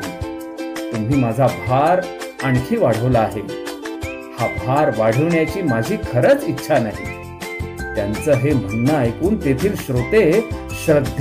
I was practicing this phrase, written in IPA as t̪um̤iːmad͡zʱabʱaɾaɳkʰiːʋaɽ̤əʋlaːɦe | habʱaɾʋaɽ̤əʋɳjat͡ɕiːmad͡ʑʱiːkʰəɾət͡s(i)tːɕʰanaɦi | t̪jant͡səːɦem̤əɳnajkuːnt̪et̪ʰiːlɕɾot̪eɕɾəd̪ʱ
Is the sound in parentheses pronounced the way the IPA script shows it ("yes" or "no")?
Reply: yes